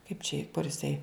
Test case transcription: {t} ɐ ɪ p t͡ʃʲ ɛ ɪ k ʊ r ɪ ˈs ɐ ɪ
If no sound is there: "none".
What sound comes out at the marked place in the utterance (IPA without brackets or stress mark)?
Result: k